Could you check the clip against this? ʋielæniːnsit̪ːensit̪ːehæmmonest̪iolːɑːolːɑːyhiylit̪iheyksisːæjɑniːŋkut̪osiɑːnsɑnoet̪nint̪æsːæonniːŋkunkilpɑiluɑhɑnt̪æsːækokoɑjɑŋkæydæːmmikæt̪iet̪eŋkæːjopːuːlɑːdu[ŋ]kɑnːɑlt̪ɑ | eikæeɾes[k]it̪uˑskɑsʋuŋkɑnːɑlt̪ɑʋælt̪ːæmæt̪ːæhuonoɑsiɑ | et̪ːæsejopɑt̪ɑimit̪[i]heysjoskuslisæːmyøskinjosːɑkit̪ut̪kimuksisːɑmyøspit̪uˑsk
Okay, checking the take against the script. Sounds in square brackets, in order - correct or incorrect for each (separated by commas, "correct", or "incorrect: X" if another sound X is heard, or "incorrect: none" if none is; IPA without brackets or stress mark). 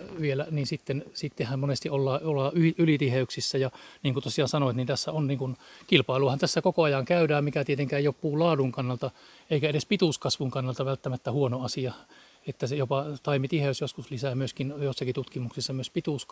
correct, incorrect: p, correct